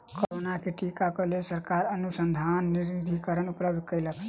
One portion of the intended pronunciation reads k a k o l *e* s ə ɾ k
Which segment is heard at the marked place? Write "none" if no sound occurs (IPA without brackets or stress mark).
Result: e